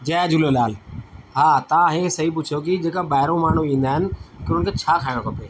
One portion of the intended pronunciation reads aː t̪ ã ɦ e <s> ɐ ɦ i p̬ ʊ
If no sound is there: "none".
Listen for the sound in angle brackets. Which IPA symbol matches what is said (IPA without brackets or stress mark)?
s